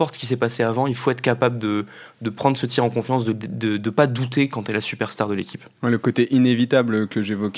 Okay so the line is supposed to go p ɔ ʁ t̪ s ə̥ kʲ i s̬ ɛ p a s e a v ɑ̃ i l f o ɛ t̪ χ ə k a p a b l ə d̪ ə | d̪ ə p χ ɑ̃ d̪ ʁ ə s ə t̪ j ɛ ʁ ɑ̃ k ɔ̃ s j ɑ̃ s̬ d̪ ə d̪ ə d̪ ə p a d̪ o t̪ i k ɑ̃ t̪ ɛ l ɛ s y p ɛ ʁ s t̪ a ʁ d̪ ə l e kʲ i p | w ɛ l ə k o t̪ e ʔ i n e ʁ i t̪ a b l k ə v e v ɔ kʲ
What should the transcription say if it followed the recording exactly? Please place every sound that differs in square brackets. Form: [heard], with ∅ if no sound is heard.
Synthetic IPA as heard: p ɔ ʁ t̪ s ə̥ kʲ i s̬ ɛ p a s e a v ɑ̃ i l f o ɛ t̪ χ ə k a p a b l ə d̪ ə | d̪ ə p χ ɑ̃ d̪ ʁ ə s ə t̪ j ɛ ʁ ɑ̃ k ɔ̃ [f] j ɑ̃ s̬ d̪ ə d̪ ə d̪ ə p a d̪ [u] t̪ [e] k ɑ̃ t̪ ɛ l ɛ s y p ɛ ʁ s t̪ a ʁ d̪ ə l e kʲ i p | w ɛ l ə k o t̪ e ʔ i n e [v] i t̪ a b l k ə [ʒ] e v ɔ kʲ